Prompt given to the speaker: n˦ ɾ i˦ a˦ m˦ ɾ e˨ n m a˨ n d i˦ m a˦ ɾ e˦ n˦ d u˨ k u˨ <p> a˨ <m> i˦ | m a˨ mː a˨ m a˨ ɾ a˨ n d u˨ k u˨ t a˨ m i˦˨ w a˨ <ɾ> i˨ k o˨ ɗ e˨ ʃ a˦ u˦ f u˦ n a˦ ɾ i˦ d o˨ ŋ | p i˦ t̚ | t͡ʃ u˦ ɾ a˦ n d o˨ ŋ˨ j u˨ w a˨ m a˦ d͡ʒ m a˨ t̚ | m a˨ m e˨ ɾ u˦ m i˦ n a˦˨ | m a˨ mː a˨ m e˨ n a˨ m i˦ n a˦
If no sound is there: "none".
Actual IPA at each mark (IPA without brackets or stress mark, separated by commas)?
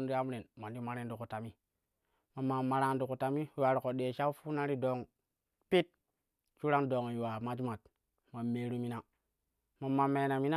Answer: t, m, ɾ